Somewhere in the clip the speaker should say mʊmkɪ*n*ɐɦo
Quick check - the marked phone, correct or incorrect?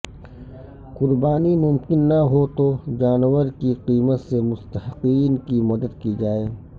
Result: incorrect